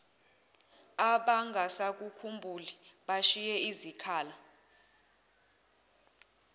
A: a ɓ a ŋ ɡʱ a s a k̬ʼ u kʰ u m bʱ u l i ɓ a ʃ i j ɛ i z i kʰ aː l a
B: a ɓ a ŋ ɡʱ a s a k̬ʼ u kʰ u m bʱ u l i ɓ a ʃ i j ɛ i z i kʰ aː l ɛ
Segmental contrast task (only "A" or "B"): A